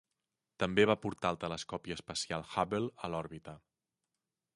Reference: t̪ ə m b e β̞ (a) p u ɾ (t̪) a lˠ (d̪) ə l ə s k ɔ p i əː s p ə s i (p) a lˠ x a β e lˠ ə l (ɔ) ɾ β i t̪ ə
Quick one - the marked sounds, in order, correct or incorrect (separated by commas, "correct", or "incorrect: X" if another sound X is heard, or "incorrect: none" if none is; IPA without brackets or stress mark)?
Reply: correct, correct, incorrect: t̪, incorrect: none, correct